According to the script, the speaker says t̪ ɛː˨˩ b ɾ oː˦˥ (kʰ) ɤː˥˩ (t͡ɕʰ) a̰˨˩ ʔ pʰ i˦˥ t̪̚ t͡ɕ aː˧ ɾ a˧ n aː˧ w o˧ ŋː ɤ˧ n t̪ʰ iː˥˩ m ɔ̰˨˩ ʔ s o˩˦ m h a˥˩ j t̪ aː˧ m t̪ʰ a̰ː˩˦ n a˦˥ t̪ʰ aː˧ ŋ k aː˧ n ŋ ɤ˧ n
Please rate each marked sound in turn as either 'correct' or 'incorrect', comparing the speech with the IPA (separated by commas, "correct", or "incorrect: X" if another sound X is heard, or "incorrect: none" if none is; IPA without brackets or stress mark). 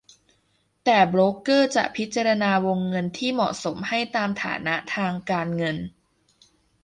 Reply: incorrect: k, incorrect: t͡ɕ